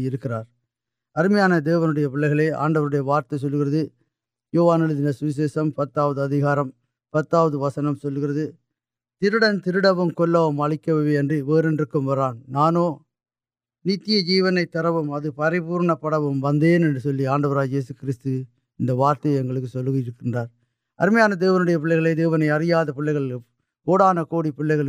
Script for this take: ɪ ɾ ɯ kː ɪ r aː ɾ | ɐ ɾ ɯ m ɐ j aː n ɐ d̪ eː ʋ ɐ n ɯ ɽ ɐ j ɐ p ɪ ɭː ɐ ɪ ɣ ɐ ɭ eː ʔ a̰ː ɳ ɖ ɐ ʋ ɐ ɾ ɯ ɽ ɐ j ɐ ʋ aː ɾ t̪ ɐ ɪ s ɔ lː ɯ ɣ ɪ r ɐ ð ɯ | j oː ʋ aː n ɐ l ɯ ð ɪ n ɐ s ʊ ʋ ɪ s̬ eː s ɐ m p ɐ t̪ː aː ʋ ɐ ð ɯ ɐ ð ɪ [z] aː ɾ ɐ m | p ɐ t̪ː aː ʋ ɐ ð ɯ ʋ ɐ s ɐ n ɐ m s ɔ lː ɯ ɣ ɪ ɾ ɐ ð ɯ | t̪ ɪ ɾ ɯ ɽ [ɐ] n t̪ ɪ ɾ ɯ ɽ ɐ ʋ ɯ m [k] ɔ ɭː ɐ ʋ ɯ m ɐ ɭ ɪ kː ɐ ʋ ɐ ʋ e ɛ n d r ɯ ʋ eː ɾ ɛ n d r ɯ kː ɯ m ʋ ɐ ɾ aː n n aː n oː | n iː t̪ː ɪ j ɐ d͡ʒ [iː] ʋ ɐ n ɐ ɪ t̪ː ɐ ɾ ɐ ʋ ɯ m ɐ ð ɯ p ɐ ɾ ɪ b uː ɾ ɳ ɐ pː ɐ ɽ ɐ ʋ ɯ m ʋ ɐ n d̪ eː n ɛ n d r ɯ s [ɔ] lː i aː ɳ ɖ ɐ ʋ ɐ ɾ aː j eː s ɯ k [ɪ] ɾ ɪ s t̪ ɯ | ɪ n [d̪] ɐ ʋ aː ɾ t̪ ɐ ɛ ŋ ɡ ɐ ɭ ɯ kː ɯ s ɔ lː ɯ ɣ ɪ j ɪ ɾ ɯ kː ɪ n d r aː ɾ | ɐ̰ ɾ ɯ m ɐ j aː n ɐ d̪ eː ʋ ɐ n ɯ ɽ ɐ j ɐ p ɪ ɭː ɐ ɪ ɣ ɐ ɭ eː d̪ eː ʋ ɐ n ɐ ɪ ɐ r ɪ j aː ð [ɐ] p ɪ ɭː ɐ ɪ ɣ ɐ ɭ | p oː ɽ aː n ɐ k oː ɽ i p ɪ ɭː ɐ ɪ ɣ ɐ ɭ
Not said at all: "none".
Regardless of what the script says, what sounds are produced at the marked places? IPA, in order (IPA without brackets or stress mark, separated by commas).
ɣ, ɐ, k, iː, ɔ, ɪ, d̪, ɐ